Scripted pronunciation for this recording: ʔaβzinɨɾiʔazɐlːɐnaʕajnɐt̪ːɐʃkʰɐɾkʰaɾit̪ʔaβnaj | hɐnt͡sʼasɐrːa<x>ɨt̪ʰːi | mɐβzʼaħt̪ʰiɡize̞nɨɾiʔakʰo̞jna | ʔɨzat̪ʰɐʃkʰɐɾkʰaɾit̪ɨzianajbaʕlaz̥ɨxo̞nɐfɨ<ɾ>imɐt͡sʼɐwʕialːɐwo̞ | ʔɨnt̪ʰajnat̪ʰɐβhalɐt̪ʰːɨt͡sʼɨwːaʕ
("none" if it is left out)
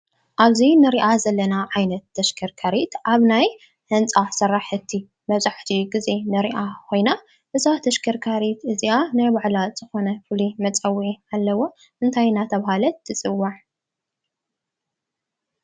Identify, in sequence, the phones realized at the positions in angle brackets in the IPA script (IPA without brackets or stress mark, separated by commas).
ħ, l